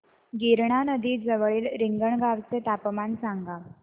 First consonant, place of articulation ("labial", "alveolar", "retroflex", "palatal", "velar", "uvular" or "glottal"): velar